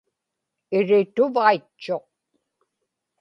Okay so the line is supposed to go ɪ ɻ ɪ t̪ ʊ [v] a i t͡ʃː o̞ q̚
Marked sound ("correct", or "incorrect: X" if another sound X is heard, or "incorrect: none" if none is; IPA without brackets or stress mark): correct